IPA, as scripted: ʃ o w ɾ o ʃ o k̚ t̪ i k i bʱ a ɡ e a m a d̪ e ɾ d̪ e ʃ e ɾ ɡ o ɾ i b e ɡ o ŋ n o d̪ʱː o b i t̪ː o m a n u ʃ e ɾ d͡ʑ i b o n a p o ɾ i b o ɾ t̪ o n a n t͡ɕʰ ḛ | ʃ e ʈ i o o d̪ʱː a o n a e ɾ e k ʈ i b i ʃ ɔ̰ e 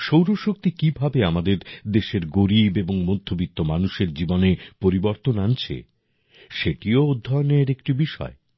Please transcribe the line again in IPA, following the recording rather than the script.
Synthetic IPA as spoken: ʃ o w ɾ o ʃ o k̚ t̪ i k i bʱ a b e a m a d̪ e ɾ d̪ e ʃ e ɾ ɡ o ɾ i b e b o ŋ m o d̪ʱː o b i t̪ː o m a n u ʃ e ɾ d͡ʑ i b o n e p o ɾ i b o ɾ t̪ o n a n t͡ɕʰ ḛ | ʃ e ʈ i o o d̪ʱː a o n e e ɾ e k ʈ i b i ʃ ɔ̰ e